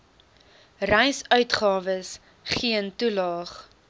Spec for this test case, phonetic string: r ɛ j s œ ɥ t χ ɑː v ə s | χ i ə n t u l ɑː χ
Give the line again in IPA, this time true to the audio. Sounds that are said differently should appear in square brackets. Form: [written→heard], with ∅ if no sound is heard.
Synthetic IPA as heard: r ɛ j s œ ɥ t χ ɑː v ə s | χ i ə n t u l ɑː χ